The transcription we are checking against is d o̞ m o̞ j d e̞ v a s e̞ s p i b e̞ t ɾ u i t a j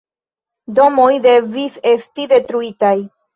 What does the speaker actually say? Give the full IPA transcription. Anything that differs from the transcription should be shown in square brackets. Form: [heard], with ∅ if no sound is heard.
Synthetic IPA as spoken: d o̞ m o̞ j d e̞ v [i] s e̞ s [t] i [d] e̞ t ɾ u i t a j

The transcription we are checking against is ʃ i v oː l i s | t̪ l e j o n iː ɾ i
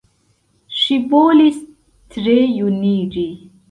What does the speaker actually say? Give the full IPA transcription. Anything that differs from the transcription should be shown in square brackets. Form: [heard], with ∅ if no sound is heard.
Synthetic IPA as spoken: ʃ i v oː l i s | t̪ [ɾ] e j [u] n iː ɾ i

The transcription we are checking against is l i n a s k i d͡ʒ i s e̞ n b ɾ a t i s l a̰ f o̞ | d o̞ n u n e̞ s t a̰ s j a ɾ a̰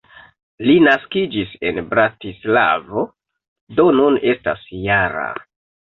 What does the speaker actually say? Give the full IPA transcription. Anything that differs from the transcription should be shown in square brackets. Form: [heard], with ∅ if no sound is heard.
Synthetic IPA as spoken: l i n a s k i d͡ʒ i s e̞ n b ɾ a t i s l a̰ [v] o̞ | d o̞ n u n e̞ s t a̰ s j a ɾ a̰

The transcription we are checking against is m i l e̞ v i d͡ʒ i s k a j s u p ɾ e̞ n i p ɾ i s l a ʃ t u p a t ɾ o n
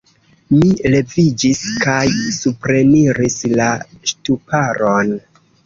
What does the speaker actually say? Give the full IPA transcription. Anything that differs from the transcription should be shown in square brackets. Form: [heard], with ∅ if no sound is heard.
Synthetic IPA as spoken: m i l e̞ v i d͡ʒ i s k a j s u p ɾ e̞ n i [∅] ɾ i s l a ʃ t u p a [∅] ɾ o n

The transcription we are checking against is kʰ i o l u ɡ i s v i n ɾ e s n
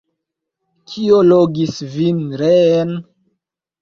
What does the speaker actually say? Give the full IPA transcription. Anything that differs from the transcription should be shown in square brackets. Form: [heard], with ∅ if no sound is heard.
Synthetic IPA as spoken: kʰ i o l [o] ɡ i s v i n ɾ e [∅] n

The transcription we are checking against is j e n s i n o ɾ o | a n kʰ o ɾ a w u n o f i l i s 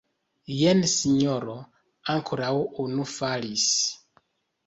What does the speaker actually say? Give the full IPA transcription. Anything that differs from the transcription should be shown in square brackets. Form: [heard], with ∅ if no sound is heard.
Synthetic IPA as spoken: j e n s i [ɲ] o ɾ o | a [ŋ] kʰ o ɾ a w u n [u] f [a] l i s

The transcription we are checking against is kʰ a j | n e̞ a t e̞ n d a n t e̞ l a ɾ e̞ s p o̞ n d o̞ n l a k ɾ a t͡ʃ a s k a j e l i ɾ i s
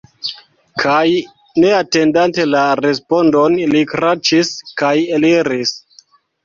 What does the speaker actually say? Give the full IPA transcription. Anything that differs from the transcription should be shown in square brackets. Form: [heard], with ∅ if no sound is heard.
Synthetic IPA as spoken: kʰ a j | n e̞ a t e̞ n d a n t e̞ l a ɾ e̞ s p o̞ n d o̞ n l [i] k ɾ a t͡ʃ [i] s k a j e l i ɾ i s

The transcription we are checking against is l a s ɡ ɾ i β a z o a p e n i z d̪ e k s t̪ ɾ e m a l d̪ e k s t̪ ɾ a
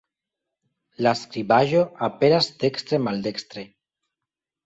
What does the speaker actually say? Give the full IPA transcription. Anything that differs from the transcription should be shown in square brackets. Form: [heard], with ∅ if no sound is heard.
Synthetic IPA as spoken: l a s [k] ɾ i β a [ʒ] o a p e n [a] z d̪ e k s t̪ ɾ e m a l d̪ e k s t̪ ɾ [e]

